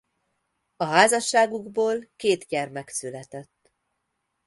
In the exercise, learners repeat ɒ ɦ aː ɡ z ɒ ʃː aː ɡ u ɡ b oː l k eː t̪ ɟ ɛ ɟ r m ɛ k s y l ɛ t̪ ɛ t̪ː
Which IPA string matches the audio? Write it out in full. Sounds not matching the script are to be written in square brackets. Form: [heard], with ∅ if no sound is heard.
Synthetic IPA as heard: ɒ ɦ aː [∅] z ɒ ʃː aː ɡ u ɡ b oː l k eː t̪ ɟ ɛ [∅] r m ɛ k s y l ɛ t̪ ɛ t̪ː